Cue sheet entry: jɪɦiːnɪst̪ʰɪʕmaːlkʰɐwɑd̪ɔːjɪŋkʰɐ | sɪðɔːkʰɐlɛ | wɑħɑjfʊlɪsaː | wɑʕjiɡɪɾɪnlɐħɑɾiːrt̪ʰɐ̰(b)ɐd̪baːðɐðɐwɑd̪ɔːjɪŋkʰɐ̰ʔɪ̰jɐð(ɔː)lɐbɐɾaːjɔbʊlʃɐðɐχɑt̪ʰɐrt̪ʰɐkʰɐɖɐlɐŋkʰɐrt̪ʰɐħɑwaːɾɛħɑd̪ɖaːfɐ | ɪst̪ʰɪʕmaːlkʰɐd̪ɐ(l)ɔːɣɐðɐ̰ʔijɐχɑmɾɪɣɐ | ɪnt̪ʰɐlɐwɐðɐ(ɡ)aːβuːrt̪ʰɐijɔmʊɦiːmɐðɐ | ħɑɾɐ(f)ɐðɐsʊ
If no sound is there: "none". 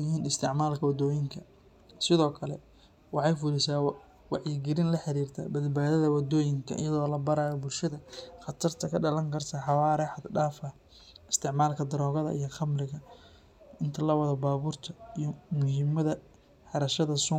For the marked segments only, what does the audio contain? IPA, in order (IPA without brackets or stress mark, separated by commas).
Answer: b, ɔː, ɾ, b, ʃ